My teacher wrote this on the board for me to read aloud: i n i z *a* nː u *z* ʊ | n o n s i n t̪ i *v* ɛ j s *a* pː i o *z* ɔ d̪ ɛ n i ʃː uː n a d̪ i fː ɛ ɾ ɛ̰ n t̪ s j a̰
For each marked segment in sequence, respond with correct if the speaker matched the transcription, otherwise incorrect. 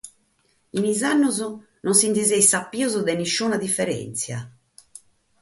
correct, correct, incorrect: z, correct, correct

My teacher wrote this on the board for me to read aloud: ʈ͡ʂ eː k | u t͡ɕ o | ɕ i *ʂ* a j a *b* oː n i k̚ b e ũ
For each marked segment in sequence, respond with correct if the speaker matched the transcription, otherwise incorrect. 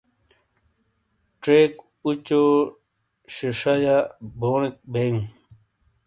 correct, correct

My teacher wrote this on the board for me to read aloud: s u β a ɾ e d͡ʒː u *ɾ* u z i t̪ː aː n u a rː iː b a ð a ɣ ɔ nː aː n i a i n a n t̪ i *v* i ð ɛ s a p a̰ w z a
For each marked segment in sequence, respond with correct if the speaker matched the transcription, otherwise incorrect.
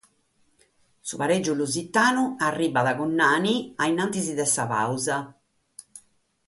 incorrect: l, incorrect: z

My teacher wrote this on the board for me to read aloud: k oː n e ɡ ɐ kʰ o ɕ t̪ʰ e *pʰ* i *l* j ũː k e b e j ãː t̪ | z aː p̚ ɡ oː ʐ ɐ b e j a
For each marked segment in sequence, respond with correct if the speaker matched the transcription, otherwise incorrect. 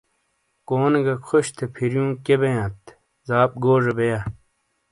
correct, incorrect: ɾ

